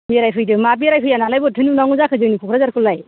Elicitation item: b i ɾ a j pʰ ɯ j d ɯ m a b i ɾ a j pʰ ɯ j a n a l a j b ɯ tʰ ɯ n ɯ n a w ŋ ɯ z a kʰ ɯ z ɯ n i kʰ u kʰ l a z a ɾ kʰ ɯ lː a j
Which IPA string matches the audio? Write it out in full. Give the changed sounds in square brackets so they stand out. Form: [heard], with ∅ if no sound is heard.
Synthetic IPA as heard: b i ɾ a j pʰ ɯ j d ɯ m a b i ɾ a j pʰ ɯ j a n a l a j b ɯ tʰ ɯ n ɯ n a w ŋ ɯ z a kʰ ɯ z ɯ n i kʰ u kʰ [ɾ] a z a ɾ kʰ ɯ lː a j